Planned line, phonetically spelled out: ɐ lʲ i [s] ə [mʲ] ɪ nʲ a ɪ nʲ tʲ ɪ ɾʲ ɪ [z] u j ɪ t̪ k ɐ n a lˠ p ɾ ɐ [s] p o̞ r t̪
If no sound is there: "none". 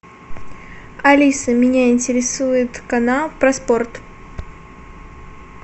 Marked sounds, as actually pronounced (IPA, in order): s, mʲ, s, s

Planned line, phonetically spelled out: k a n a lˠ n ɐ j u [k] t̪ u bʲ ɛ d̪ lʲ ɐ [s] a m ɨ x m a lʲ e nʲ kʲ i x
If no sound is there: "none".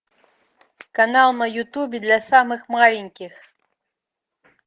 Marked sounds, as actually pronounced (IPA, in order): none, s

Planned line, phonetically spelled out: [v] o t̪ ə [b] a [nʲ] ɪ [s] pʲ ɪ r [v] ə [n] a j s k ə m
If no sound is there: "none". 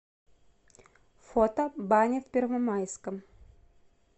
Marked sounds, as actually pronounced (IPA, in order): f, b, nʲ, f, v, m

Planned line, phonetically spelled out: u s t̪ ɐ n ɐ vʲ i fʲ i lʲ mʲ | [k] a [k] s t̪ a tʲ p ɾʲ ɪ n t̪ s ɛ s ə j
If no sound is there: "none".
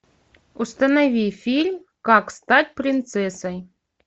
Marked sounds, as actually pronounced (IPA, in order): k, k

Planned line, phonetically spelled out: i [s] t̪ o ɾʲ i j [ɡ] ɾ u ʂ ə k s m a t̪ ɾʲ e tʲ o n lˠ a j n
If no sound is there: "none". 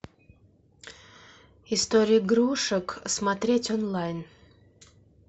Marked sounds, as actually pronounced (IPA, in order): s, ɡ

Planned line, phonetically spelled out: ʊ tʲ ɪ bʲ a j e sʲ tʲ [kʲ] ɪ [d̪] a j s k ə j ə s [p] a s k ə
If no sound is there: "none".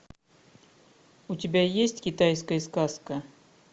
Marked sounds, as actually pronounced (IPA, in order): kʲ, t̪, k

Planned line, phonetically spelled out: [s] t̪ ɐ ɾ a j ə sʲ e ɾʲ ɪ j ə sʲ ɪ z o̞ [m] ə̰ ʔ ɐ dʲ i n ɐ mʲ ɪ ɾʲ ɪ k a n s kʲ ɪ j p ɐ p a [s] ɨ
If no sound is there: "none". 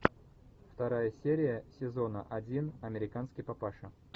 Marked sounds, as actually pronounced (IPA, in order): f, n, ʂ

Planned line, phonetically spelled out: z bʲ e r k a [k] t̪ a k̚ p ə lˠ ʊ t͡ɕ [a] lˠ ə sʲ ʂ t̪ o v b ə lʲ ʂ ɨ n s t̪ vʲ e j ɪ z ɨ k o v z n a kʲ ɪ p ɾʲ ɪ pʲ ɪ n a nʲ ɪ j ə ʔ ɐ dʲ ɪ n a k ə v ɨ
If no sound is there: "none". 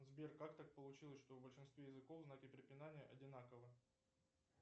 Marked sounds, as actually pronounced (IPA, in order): k, i

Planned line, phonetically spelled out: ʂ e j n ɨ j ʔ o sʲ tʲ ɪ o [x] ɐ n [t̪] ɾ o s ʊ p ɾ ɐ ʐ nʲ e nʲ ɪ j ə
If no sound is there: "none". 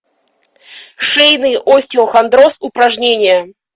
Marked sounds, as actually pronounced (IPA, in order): x, d̪

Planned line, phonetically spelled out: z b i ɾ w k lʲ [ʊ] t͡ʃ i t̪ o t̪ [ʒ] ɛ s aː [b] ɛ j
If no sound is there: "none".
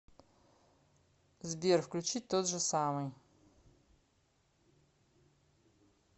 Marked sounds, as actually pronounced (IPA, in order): u, ʒ, m

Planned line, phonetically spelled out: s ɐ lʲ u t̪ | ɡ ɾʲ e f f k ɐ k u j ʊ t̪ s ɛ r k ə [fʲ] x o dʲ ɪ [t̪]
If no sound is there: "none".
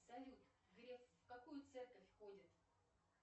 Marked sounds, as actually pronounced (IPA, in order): fʲ, t̪

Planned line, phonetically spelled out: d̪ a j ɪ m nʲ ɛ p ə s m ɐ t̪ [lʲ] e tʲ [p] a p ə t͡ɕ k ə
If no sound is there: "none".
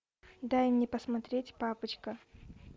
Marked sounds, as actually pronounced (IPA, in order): ɾʲ, p

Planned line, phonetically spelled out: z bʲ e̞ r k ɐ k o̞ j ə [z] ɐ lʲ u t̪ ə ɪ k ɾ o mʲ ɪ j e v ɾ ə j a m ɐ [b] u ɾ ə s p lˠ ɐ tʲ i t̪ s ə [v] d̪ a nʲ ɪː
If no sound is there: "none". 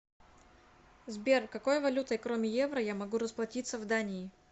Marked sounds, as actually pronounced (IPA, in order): v, ɡ, v

